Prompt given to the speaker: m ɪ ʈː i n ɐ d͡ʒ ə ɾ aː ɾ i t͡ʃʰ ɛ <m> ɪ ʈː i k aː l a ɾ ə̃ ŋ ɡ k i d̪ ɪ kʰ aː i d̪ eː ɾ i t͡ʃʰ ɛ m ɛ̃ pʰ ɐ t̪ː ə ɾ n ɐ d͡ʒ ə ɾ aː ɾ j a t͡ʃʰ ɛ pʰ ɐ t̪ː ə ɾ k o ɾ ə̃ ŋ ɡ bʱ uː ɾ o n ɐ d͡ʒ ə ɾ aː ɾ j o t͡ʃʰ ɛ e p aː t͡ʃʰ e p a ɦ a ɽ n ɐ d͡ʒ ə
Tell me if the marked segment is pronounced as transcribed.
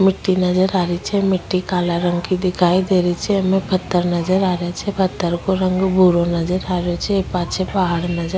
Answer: yes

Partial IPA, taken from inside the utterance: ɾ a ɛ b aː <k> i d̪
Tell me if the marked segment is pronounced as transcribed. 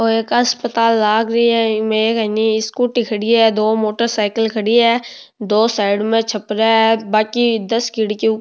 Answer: yes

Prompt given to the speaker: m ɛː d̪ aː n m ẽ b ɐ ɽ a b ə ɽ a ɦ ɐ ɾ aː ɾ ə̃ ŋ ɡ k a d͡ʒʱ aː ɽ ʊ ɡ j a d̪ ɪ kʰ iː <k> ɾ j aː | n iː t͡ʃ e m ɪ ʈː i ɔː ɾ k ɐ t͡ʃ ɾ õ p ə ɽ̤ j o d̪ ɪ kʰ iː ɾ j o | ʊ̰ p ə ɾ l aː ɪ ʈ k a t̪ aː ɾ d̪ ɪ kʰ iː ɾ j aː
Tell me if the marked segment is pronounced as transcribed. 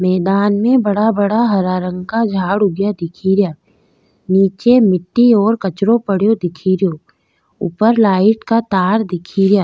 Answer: no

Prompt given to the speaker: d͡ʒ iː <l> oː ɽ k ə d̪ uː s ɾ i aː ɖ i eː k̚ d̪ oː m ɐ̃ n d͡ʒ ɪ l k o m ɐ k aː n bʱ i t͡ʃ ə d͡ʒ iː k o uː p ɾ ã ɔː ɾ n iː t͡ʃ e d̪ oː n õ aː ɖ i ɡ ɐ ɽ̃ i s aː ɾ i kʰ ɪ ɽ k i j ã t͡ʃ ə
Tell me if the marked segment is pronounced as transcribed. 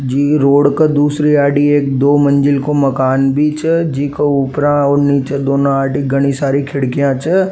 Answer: no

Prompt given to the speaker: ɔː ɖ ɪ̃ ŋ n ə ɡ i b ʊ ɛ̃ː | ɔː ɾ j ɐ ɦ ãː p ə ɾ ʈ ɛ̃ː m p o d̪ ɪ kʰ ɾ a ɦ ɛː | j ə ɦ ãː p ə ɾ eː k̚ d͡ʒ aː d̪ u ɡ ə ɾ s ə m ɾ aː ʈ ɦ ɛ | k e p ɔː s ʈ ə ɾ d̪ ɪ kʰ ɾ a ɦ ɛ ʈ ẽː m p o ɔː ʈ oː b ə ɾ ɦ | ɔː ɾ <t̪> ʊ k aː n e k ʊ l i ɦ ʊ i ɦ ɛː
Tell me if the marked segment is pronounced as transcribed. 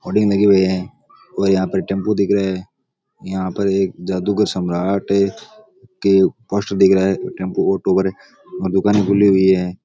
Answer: no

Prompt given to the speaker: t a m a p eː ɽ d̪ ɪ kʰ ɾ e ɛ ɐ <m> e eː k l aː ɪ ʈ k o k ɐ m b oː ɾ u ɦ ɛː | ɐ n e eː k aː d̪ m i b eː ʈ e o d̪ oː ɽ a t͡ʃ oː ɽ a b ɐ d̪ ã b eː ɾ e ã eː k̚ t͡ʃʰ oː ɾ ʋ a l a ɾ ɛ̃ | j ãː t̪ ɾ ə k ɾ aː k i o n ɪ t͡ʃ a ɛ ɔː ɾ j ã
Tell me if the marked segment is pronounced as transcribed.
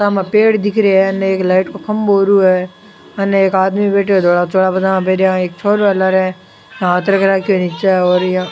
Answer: no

